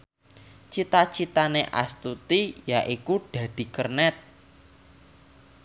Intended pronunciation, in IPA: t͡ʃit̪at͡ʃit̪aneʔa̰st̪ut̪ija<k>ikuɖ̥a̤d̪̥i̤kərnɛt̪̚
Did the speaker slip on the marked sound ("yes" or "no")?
yes